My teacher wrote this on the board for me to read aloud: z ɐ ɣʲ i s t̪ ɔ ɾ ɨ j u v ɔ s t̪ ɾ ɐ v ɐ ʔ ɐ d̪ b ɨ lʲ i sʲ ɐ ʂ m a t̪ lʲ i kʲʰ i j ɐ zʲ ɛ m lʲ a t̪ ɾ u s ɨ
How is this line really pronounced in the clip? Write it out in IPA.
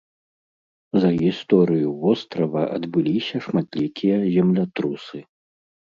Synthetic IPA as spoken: z ɐ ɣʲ i s t̪ ɔ ɾ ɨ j u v ɔ s t̪ ɾ ɐ v ɐ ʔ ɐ d̪ b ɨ lʲ i sʲ ɐ ʂ m a t̪ lʲ i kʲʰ i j ɐ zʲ ɛ m lʲ a t̪ ɾ u s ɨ